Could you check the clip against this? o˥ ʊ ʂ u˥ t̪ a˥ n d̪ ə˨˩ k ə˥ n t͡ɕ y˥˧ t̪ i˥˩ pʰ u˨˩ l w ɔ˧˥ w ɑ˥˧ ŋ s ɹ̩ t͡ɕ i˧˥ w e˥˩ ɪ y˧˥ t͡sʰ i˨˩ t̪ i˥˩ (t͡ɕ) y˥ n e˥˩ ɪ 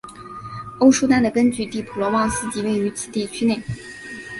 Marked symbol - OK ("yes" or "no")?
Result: no